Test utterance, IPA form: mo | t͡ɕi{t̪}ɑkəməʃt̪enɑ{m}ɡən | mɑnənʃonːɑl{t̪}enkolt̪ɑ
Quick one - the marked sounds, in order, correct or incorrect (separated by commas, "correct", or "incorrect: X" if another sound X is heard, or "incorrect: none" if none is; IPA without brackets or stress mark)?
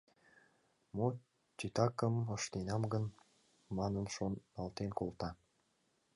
correct, correct, correct